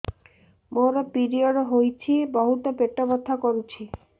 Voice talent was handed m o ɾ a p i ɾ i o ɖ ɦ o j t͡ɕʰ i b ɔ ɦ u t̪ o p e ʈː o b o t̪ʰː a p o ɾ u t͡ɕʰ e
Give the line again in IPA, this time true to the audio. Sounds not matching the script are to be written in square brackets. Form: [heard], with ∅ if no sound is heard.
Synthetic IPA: m o ɾ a p i ɾ i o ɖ ɦ o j t͡ɕʰ i b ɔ ɦ u t̪ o p e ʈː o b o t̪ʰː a [k] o ɾ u t͡ɕʰ [i]